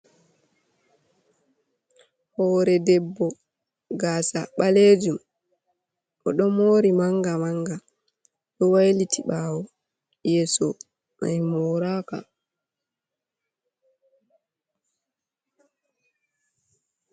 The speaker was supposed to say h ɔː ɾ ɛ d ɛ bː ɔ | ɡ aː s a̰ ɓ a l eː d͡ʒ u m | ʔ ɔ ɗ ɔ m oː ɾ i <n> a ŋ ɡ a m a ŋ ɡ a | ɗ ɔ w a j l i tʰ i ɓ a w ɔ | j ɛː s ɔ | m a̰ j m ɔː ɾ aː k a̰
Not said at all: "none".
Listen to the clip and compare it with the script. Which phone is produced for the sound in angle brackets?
m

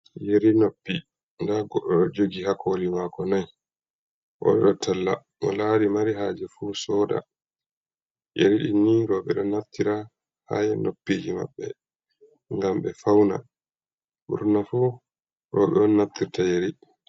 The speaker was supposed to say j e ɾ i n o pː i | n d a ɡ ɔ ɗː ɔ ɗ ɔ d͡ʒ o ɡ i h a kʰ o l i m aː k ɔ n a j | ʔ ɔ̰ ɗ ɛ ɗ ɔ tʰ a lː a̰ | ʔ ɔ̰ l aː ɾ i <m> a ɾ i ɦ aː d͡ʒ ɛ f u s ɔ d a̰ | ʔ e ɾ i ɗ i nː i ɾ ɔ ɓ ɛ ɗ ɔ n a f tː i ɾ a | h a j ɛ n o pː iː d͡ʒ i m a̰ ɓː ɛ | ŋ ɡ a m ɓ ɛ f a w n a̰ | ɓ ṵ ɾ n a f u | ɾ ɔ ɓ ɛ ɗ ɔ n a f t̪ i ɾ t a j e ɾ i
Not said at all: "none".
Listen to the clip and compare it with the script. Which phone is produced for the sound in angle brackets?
m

